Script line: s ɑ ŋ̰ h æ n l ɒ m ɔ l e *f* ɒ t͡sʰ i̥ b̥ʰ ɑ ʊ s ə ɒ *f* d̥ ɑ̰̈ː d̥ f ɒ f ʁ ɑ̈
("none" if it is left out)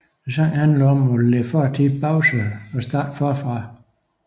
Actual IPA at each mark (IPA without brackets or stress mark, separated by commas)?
f, s